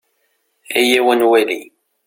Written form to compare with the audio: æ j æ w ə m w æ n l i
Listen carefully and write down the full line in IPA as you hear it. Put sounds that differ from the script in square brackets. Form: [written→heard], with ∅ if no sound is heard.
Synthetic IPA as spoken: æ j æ w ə [m→n] w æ [n→∅] l i